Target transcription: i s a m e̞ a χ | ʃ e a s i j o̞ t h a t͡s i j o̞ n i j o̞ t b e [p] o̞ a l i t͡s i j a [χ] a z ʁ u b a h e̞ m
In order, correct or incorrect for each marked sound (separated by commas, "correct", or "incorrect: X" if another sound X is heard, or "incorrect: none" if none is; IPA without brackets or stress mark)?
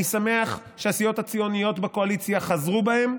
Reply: incorrect: k, correct